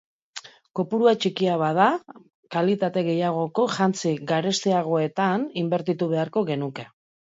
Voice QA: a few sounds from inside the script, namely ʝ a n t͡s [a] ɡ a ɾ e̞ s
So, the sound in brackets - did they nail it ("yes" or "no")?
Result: no